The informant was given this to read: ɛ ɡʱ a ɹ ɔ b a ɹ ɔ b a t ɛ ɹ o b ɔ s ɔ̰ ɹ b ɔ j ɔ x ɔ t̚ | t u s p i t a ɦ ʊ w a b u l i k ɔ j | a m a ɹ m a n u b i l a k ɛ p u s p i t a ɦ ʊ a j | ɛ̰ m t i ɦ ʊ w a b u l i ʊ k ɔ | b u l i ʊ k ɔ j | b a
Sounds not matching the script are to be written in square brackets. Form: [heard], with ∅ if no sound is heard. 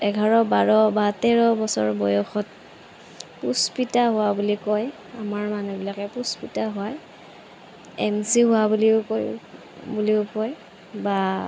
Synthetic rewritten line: ɛ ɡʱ a ɹ ɔ b a ɹ ɔ b a t ɛ ɹ [ɔ] b ɔ s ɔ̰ ɹ b ɔ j ɔ x ɔ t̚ | [p] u s p i t a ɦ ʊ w a b u l i k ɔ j | a m a ɹ m a n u b i l a k ɛ p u s p i t a ɦ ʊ a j | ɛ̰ m [s] i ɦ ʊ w a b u l i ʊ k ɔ | b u l i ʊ k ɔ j | b a